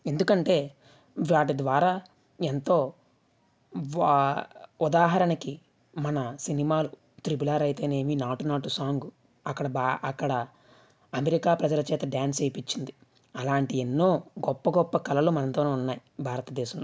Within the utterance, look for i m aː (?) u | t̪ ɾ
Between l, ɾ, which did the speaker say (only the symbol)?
l